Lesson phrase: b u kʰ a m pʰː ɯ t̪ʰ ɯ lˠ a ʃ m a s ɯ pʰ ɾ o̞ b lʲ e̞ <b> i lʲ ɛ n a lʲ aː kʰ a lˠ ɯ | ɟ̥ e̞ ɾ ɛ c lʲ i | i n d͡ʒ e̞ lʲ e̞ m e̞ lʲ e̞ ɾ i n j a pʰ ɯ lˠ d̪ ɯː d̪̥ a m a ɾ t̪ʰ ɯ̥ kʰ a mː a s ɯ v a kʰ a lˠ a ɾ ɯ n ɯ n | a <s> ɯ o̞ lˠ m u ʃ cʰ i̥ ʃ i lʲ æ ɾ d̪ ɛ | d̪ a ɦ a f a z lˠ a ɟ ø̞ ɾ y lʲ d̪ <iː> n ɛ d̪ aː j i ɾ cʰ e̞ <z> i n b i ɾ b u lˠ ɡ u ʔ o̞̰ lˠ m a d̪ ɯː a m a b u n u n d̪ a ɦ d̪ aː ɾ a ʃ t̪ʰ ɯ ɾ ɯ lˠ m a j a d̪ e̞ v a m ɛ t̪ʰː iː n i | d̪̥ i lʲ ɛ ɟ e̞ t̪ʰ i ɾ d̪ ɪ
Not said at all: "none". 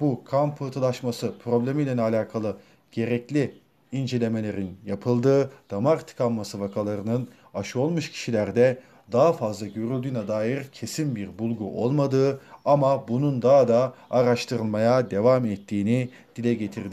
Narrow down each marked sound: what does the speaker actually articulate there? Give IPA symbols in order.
m, ʃ, yː, s

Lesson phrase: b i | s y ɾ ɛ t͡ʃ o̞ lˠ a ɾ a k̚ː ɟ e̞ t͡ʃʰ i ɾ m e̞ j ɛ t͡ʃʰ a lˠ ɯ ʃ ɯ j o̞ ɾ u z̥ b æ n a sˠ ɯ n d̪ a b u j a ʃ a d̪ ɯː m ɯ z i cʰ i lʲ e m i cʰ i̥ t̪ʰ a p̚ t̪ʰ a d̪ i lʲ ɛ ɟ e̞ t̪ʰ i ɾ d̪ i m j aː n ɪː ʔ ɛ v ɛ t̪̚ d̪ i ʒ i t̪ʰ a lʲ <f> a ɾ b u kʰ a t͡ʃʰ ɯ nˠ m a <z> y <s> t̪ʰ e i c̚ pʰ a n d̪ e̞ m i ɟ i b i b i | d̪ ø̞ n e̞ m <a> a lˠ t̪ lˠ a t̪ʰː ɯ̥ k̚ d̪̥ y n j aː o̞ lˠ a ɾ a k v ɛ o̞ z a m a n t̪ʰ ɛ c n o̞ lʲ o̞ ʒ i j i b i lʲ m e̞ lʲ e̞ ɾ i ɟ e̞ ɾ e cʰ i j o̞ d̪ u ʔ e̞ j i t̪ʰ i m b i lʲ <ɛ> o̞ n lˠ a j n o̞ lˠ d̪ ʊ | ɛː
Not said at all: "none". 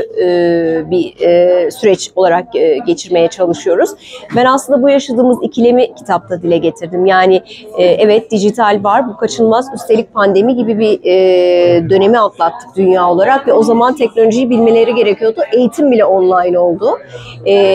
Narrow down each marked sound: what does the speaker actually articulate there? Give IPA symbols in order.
v, z, s, i, ɛ

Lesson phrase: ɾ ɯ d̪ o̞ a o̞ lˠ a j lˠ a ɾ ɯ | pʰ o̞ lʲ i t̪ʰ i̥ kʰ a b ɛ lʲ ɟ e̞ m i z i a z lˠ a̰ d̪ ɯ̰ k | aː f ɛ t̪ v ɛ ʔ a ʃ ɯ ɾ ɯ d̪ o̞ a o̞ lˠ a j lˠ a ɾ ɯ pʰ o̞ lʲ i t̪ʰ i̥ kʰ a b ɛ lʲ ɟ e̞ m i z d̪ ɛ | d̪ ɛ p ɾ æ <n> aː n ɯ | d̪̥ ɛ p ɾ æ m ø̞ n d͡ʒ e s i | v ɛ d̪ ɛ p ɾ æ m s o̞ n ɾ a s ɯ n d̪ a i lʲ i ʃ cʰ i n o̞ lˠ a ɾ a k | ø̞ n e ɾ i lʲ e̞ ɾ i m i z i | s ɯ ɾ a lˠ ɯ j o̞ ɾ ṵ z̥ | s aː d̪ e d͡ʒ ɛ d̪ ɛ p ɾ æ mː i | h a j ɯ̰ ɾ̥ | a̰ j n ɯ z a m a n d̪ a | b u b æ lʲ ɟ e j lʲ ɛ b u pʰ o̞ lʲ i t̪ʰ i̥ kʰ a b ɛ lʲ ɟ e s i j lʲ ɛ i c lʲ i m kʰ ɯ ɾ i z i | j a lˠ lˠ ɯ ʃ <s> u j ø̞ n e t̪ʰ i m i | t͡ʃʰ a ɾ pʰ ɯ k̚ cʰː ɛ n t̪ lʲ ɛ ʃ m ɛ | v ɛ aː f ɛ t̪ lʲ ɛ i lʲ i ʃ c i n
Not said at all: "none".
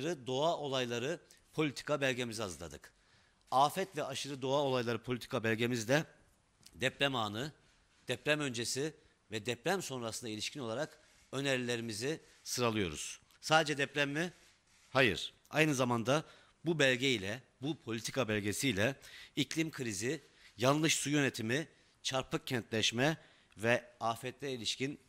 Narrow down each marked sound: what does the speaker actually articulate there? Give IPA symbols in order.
m, s

